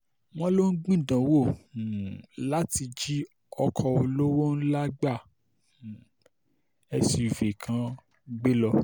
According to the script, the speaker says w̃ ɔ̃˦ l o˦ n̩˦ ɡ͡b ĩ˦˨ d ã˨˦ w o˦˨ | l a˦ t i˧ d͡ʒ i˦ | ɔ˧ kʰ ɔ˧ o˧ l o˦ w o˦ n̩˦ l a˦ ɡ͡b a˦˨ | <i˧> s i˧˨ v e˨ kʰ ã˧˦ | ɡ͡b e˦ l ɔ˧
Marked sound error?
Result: yes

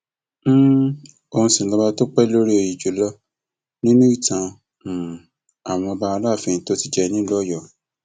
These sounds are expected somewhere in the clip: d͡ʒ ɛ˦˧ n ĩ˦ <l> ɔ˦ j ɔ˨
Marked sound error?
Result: no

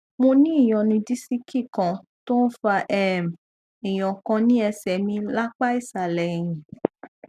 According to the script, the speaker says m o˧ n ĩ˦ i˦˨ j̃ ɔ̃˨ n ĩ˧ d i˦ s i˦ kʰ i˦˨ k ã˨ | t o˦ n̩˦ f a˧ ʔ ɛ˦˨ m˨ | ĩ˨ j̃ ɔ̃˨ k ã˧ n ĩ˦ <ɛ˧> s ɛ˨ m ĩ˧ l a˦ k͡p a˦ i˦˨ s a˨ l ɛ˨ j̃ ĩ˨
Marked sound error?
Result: no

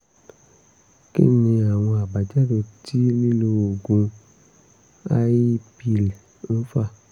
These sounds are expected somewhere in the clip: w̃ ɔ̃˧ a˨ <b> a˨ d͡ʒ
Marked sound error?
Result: no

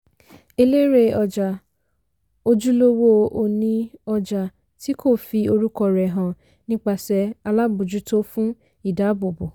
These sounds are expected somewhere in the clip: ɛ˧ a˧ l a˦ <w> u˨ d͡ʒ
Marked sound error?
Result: yes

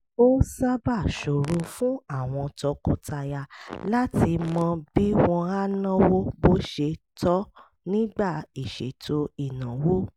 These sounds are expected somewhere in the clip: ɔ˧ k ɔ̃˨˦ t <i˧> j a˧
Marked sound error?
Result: yes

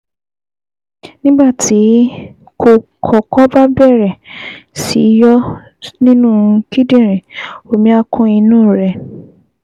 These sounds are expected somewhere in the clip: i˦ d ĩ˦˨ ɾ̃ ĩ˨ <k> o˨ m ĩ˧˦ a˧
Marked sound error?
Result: yes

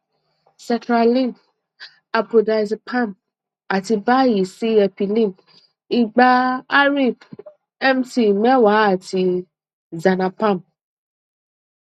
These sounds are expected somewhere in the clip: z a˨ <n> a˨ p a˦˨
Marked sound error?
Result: no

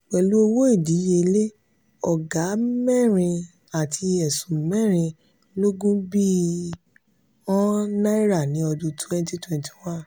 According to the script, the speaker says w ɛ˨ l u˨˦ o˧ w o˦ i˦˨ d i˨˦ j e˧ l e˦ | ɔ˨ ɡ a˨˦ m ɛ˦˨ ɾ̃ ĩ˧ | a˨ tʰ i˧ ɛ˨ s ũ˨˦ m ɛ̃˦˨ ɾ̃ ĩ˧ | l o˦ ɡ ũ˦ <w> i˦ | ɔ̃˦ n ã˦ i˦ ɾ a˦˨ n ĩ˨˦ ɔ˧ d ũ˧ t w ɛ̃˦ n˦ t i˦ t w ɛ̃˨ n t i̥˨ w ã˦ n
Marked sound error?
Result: yes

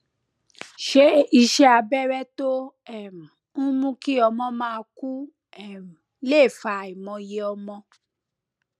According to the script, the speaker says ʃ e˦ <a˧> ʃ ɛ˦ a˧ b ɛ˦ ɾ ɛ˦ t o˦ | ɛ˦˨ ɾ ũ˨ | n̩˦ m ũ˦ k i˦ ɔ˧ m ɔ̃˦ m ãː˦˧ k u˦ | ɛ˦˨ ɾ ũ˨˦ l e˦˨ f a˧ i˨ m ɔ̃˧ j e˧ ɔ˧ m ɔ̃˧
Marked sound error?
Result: yes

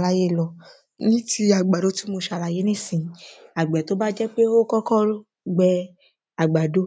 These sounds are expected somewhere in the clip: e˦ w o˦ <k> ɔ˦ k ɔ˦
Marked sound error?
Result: no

